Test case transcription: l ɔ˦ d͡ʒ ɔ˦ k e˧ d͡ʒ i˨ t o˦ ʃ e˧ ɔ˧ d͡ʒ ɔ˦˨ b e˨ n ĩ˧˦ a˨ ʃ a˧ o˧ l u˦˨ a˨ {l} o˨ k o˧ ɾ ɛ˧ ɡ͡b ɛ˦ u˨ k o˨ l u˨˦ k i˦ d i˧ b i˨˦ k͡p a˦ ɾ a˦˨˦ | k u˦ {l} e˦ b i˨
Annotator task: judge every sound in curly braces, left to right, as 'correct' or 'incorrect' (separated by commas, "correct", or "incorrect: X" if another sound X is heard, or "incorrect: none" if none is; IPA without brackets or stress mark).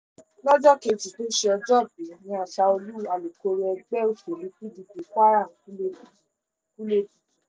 correct, correct